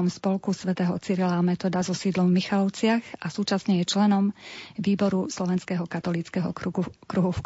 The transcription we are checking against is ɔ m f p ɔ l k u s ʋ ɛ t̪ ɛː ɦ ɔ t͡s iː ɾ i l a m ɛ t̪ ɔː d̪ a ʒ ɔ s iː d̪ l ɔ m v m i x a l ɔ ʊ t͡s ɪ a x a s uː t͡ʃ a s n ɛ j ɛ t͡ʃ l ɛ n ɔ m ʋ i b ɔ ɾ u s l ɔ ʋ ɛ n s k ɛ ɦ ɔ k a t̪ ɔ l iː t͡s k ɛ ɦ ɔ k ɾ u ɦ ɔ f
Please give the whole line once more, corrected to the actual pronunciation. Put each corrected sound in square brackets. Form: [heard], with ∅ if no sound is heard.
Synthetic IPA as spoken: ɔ m [s] p ɔ l k u s ʋ ɛ t̪ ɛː ɦ ɔ t͡s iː ɾ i l a m ɛ t̪ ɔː d̪ a [z] ɔ s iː d̪ l ɔ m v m i x a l ɔ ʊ t͡s ɪ a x a s uː t͡ʃ a s [ɲ] ɛ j ɛ t͡ʃ l ɛ n ɔ m ʋ [iː] b ɔ ɾ u s l ɔ ʋ ɛ n s k ɛ ɦ ɔ k a t̪ ɔ l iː t͡s k ɛ ɦ ɔ k ɾ u ɦ [u] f